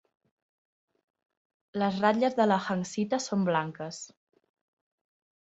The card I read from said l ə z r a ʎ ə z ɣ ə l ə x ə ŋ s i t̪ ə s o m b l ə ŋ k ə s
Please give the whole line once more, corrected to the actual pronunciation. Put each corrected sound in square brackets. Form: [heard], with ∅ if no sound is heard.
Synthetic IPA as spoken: l ə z r a ʎ ə z [ð] ə l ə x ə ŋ s i t̪ ə s o m b l [a] ŋ k ə s